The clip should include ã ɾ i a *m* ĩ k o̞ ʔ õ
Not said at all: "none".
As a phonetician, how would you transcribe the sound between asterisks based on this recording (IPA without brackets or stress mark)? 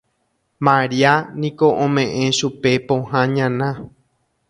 n